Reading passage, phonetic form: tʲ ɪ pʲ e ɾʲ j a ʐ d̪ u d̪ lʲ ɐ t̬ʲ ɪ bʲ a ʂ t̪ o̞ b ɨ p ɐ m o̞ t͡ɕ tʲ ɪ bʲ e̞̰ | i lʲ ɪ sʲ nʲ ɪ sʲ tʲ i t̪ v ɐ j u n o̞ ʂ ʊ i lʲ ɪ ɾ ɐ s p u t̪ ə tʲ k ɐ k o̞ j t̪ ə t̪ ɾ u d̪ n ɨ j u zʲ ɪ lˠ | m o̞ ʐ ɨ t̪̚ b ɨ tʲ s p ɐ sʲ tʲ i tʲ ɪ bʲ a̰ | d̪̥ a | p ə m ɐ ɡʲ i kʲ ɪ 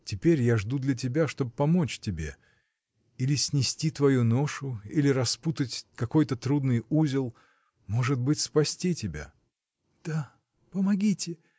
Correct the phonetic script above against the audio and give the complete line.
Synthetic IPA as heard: tʲ ɪ pʲ e ɾʲ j a ʐ d̪ u d̪ lʲ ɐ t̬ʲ ɪ bʲ a ʂ t̪ o̞ b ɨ p ɐ m o̞ t͡ɕ tʲ ɪ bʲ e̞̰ | i lʲ ɪ sʲ nʲ ɪ sʲ tʲ i t̪ v ɐ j u n o̞ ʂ ʊ i lʲ ɪ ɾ ɐ s p u t̪ ə tʲ k ɐ k o̞ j t̪ ə t̪ ɾ u d̪ n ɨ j u zʲ ɪ lˠ | m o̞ ʐ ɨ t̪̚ b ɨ tʲ s p ɐ sʲ tʲ i tʲ ɪ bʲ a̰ | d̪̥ a | p ə m ɐ ɡʲ i tʲ ɪ